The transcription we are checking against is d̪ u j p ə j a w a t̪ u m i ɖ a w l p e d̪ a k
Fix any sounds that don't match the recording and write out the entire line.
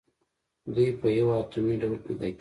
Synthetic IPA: d̪ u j p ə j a w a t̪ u m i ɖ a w l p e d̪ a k